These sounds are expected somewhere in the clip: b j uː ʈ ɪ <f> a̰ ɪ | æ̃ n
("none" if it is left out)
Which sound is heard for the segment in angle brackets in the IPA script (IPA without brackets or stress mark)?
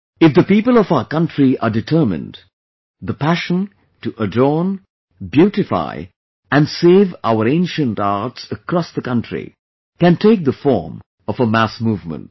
f